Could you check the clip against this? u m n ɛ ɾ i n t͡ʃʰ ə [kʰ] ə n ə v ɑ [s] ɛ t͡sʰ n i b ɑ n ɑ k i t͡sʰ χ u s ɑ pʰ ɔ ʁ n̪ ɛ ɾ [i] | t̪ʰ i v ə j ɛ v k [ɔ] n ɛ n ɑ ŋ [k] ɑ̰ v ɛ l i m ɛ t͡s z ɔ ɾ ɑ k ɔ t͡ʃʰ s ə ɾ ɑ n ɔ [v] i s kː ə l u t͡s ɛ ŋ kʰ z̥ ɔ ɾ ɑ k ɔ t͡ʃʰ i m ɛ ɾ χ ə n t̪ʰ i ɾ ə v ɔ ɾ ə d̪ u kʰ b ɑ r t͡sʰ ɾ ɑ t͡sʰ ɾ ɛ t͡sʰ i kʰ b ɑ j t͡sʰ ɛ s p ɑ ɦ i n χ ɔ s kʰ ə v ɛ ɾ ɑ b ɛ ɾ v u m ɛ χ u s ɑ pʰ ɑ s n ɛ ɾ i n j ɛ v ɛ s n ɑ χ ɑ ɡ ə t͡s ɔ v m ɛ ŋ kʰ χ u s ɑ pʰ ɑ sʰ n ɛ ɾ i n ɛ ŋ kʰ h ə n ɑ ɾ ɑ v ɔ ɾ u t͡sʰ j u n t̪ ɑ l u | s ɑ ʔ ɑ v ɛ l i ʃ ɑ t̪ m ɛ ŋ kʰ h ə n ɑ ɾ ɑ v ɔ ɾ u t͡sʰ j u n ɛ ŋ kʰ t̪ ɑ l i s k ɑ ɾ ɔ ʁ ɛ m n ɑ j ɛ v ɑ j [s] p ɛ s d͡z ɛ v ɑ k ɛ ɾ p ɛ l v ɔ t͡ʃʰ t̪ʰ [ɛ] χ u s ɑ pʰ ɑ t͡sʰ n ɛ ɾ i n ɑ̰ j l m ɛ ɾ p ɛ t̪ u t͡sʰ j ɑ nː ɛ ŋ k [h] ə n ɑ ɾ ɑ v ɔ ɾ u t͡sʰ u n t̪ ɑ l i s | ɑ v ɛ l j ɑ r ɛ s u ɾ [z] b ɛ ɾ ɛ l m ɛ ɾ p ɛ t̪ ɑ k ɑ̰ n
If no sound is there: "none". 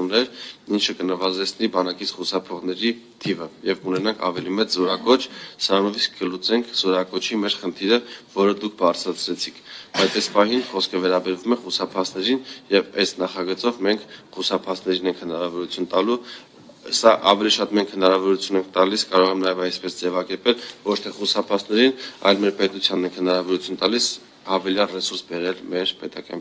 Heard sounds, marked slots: k, z, i, u, kʰ, v, s, ɛ, h, s

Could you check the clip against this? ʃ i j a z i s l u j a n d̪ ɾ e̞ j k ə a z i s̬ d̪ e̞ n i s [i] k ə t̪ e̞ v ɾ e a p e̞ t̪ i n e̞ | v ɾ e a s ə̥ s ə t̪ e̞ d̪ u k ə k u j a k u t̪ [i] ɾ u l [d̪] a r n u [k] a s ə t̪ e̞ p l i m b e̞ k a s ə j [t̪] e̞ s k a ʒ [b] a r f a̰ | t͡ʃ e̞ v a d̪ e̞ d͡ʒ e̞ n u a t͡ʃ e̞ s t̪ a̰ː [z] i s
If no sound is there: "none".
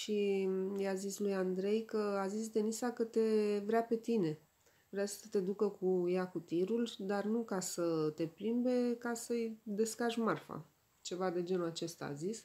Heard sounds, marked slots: a, i, d̪, k, d̪, m, z

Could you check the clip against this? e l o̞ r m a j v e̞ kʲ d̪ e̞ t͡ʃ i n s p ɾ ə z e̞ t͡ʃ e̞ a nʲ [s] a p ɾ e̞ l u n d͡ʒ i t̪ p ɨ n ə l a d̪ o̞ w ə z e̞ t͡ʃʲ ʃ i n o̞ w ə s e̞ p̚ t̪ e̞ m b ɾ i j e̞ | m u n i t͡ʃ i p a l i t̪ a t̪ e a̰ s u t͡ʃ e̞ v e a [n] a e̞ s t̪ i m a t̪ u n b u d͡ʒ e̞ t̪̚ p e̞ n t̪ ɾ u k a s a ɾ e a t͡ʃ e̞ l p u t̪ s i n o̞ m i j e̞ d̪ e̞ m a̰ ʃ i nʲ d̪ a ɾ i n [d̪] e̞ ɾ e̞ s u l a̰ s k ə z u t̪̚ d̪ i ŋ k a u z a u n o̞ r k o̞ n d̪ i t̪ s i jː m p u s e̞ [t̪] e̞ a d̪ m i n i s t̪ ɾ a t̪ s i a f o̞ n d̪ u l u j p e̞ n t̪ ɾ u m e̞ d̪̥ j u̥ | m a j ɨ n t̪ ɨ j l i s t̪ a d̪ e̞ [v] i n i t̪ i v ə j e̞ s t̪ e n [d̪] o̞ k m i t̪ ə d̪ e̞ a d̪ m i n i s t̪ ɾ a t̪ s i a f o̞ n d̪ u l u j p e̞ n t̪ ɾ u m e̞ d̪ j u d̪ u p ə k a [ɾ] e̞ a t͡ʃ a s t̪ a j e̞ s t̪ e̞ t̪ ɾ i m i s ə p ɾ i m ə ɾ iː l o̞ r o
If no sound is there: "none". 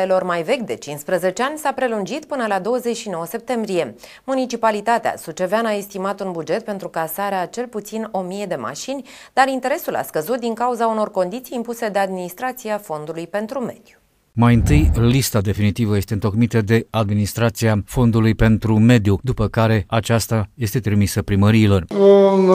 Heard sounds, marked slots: s, n, t̪, d̪, f, t̪, ɾ

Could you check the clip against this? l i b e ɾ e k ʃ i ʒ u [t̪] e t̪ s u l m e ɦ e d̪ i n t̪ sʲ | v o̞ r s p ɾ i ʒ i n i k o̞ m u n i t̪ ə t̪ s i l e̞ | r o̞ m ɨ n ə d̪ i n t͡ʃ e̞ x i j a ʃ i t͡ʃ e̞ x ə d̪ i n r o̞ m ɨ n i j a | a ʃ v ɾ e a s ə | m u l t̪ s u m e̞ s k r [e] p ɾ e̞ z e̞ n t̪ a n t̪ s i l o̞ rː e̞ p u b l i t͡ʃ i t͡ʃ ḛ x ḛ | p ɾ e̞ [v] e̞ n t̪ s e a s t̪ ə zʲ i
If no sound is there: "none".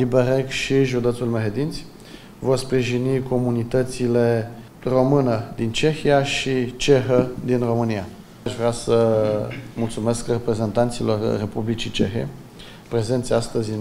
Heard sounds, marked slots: d̪, e, z

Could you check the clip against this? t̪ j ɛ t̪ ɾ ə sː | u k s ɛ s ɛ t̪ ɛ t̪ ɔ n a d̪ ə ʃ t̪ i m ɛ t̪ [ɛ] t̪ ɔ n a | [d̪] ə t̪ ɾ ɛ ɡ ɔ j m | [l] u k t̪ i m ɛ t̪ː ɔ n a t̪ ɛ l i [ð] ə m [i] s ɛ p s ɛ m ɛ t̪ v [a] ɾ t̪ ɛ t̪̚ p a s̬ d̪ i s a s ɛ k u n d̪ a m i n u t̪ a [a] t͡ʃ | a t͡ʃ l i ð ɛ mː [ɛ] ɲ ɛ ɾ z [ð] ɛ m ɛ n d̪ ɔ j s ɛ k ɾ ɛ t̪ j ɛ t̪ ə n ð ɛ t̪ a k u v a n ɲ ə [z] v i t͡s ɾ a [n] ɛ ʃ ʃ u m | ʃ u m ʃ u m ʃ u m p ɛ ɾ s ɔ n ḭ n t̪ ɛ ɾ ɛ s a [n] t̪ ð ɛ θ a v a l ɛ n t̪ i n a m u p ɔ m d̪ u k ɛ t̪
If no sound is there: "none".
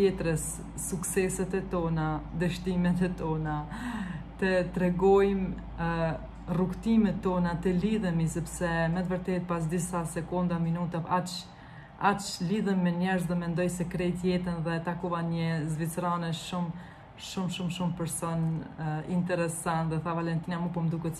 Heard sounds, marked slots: ɛ, t̪, r, ð, i, ə, a, ɛ, ð, z, n, n

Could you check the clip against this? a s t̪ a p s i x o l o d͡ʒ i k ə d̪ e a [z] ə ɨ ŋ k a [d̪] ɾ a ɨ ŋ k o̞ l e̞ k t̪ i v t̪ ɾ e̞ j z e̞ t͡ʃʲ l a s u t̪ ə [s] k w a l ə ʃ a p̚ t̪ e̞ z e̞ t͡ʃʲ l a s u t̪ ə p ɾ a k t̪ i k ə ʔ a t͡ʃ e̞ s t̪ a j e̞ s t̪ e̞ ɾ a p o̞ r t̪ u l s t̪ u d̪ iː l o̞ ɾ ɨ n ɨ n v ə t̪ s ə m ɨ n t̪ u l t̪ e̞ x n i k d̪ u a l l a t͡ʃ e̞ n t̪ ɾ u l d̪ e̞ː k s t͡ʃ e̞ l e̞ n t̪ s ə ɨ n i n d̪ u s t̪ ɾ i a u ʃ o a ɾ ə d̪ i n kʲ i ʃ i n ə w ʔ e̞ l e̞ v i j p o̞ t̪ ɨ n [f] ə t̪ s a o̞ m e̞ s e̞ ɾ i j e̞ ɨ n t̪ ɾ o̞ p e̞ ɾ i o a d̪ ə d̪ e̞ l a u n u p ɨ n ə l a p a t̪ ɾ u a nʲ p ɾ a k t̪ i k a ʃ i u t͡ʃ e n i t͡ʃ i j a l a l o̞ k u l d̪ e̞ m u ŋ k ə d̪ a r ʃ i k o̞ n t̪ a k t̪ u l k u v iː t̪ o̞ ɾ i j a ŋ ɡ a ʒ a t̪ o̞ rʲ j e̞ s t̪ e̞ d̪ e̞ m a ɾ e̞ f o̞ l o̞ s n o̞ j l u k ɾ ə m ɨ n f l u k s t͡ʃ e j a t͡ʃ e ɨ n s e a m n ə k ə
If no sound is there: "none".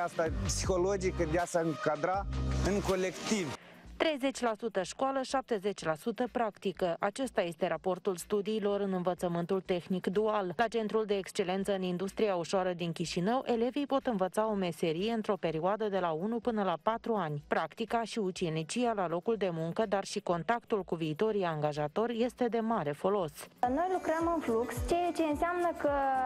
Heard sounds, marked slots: s, d̪, ʃ, v

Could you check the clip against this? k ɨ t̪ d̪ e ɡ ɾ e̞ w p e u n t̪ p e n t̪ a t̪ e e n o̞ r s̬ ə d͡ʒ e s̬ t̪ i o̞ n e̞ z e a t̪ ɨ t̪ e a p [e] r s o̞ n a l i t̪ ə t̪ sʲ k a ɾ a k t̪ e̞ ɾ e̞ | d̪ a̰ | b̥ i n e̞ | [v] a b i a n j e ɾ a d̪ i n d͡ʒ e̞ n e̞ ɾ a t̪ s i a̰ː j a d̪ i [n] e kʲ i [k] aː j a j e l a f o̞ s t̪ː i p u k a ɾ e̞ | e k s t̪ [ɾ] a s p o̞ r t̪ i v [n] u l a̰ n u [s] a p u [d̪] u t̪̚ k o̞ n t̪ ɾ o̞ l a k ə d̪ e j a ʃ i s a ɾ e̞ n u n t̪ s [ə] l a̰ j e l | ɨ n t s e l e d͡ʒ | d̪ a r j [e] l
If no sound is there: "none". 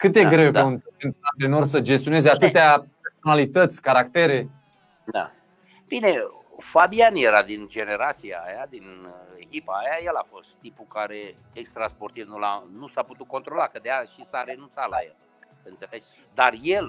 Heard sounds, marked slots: e, f, n, p, ɾ, n, s, t̪, a, e

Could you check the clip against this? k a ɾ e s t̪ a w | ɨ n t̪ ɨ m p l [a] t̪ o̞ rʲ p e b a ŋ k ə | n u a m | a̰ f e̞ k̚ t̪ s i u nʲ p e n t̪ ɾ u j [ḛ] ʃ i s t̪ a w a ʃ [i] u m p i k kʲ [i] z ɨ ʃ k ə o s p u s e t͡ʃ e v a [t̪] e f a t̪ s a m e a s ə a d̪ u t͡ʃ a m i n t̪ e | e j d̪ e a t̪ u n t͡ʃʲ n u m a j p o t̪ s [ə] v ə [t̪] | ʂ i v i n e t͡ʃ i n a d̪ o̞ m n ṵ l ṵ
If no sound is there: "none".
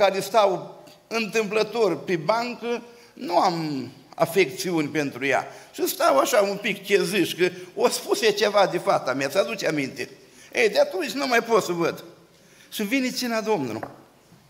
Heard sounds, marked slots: ə, a̰, a, e, d̪, ə, d̪

